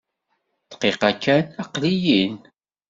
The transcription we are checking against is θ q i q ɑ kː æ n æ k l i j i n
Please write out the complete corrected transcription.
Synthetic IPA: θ q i q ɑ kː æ n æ q l i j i n